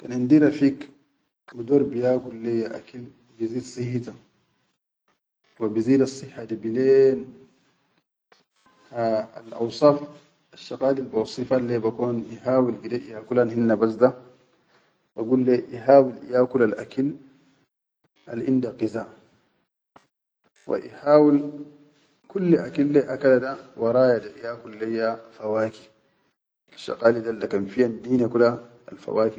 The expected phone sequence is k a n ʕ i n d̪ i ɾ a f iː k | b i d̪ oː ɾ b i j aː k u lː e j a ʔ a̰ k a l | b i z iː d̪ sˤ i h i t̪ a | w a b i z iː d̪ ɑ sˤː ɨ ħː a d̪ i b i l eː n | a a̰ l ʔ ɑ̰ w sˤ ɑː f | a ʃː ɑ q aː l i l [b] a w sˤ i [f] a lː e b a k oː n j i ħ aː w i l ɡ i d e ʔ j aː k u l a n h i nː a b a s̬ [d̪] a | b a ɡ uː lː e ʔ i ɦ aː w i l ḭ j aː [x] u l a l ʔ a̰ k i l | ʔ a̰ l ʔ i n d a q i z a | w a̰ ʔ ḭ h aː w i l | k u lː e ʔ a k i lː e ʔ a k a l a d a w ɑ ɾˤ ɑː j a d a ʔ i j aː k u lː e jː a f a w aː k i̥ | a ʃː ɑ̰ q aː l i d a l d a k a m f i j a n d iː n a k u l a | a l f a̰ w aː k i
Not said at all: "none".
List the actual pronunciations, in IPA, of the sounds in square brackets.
b, f, d̪, k

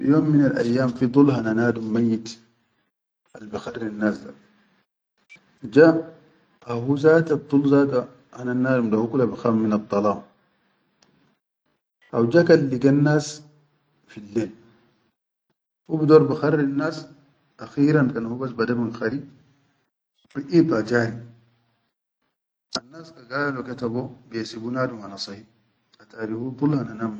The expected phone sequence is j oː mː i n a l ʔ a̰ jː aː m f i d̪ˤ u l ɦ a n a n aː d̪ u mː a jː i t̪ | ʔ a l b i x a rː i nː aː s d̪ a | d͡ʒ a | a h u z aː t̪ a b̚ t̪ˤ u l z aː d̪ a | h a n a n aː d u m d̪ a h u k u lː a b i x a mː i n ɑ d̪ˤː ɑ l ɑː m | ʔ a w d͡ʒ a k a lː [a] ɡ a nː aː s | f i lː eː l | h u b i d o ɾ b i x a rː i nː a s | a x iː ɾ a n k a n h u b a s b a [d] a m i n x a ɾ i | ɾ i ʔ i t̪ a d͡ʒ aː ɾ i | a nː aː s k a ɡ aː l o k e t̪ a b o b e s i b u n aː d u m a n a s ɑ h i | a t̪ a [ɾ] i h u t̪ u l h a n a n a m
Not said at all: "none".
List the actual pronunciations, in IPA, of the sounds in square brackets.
i, d, ɾ

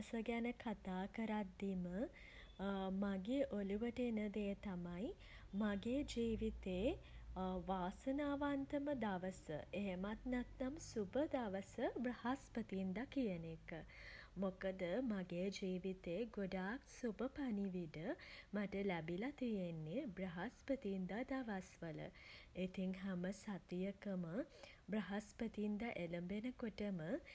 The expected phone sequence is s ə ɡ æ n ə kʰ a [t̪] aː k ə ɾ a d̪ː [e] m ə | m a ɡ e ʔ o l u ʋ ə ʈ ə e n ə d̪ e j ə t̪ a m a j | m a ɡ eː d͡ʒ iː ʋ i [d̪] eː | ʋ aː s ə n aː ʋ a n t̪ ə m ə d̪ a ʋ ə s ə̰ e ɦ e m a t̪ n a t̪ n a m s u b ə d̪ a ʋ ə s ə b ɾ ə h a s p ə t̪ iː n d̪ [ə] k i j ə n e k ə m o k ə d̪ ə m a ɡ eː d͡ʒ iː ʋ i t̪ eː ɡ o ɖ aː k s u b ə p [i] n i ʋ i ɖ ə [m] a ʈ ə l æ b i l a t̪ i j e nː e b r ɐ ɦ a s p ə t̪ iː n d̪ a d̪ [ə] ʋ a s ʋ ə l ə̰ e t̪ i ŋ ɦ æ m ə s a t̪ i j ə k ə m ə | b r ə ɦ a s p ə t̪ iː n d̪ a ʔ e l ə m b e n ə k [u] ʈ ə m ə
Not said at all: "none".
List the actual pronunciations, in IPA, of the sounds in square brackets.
t̪, i, t̪, a, a, m, a, o

